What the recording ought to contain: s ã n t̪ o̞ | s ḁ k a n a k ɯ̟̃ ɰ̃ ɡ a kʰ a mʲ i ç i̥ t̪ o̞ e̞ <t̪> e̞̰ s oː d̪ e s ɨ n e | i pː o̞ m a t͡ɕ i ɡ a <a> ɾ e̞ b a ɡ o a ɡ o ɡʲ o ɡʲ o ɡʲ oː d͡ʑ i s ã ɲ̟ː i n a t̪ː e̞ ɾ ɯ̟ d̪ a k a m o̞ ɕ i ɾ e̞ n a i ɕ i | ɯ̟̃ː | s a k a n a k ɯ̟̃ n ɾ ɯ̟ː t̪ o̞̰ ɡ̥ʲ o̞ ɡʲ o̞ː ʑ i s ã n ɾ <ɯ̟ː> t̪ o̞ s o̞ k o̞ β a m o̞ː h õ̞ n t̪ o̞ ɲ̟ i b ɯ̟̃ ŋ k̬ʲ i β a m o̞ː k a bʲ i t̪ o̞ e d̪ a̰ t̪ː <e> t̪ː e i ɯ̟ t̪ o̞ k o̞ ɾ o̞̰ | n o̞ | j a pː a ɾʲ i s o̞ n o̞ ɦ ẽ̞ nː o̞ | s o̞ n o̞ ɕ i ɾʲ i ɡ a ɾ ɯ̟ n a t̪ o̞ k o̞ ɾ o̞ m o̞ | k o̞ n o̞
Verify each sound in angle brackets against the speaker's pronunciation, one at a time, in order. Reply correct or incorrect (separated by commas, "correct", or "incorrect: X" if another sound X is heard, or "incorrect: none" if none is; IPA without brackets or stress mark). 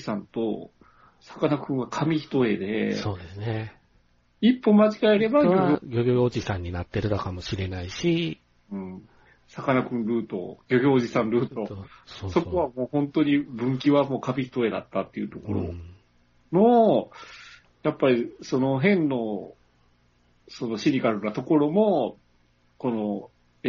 incorrect: d̪, incorrect: e, correct, incorrect: a